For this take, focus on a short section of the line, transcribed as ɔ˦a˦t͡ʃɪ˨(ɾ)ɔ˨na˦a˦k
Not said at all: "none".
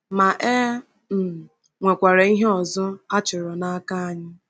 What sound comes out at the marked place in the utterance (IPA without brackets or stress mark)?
ɾ